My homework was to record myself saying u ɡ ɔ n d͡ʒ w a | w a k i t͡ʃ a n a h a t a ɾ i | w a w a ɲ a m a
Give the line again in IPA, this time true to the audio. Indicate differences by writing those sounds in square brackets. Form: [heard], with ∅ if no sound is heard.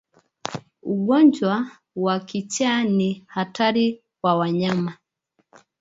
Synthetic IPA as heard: u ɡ ɔ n d͡ʒ w a | w a k i t͡ʃ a n [i] h a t a ɾ i | w a w a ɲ a m a

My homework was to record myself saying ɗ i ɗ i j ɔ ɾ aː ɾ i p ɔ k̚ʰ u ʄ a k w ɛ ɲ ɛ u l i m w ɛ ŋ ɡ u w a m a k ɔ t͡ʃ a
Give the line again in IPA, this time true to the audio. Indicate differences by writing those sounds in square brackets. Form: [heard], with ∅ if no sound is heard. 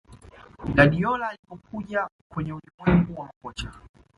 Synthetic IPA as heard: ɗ [a] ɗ i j ɔ [l] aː [l] i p ɔ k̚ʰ u ʄ a k w ɛ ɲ ɛ u l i m w ɛ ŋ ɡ u w a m a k ɔ t͡ʃ a

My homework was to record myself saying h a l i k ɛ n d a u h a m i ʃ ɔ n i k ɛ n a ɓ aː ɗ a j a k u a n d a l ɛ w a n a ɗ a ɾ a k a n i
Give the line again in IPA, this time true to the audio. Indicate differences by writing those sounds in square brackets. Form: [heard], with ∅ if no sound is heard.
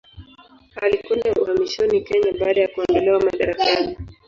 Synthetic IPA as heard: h a l i k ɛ n d a u h a m i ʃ ɔ n i k ɛ [ɲ] a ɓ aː ɗ a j a k u a n d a l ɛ w a [m] a ɗ a ɾ a k a n i

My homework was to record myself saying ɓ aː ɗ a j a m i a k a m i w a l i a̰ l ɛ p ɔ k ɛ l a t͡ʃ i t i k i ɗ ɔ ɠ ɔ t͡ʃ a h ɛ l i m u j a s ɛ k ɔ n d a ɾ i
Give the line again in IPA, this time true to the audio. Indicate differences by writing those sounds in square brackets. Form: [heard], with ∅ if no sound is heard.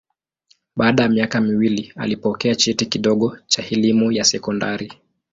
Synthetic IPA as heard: ɓ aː ɗ a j a m i a k a m i w [i] l i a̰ l [i] p ɔ k ɛ [∅] a t͡ʃ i t i k i ɗ ɔ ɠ ɔ t͡ʃ a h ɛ l i m u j a s ɛ k ɔ n d a ɾ i

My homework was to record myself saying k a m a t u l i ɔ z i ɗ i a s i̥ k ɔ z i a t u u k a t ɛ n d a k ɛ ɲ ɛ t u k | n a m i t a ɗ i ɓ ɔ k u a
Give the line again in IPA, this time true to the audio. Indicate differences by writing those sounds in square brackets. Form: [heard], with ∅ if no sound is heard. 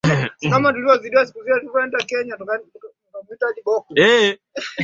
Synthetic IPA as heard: k a m a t u l i ɔ z i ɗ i a s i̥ k [u] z i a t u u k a [∅] ɛ n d a k ɛ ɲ [a] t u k | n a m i t a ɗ i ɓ ɔ k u [ɛ]

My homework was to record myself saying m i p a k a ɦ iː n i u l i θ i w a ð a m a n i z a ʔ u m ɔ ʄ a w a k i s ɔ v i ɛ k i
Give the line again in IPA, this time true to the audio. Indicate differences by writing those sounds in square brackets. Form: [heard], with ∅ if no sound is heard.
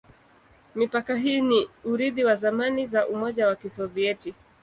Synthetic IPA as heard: m i p a k a ɦ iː n i u [ɾ] i [ð] i w a [z] a m a n i z a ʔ u m ɔ ʄ a w a k i s ɔ v i ɛ [t] i

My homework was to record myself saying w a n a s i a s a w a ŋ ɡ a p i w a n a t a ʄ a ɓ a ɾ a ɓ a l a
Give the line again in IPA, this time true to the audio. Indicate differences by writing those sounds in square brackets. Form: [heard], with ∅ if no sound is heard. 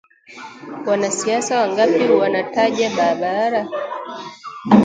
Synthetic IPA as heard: w a n a s i a s a w a ŋ ɡ a p i w a n a t a ʄ a ɓ a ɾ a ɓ a [ɾ] a

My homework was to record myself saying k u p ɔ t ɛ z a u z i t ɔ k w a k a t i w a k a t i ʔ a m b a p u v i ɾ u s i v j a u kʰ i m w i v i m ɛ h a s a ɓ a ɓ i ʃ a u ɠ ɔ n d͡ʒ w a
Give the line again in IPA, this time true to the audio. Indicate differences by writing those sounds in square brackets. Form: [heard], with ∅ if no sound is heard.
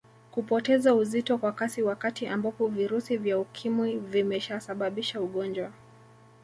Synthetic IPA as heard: k u p ɔ t ɛ z a u z i t ɔ k w a k a [s] i w a k a t i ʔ a m b a p [ɔ] v i ɾ u s i v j a u kʰ i m w i v i m ɛ [ʃ] a s a ɓ a ɓ i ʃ a u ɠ ɔ n d͡ʒ w a

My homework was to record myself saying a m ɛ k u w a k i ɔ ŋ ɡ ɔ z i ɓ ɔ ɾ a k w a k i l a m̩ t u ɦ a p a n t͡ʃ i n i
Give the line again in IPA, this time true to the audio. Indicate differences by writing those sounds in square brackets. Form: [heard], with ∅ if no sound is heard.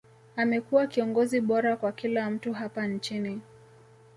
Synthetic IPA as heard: a m ɛ k u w a k i ɔ ŋ ɡ ɔ z i ɓ ɔ ɾ a k w a k i l a m̩ t u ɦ a p a n t͡ʃ i n i

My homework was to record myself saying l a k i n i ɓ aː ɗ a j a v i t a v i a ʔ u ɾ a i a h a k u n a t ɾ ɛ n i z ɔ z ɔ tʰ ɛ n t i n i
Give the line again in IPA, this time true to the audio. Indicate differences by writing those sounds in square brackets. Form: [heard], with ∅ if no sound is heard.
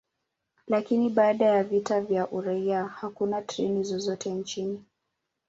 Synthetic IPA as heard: l a k i n i ɓ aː ɗ a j a v i t a v [j] a ʔ u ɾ a i a h a k u n a t ɾ ɛ n i z ɔ z ɔ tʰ ɛ n [t͡ʃ] i n i

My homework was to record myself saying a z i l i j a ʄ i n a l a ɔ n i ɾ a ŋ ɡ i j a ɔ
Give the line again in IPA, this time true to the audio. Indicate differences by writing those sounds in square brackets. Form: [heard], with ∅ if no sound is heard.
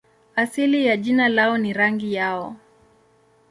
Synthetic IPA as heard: a [s] i l i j a ʄ i n a l a ɔ n i ɾ a ŋ ɡ i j a ɔ

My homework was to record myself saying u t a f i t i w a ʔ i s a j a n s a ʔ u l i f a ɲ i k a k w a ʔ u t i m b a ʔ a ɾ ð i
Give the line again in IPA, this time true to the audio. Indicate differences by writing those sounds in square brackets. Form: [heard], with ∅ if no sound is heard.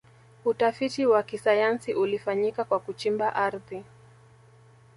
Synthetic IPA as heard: u t a f i t i w a [k] i s a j a n s [i] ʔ u l i f a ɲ i k a k w a [k] u [t͡ʃ] i m b a ʔ a ɾ ð i

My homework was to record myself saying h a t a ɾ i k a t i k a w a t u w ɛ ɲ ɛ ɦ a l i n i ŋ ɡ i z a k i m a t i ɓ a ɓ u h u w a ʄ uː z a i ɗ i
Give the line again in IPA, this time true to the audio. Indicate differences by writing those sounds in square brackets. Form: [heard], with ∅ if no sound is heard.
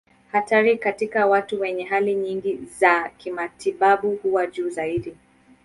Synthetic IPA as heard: h a t a ɾ i k a t i k a w a t u w ɛ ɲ ɛ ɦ a l i [ɲ] i ŋ ɡ i z a k i m a t i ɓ a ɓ u h u w a ʄ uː z a i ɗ i

